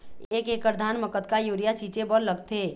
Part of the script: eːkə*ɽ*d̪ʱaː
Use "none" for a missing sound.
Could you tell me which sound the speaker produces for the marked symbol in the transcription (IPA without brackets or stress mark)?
ɾ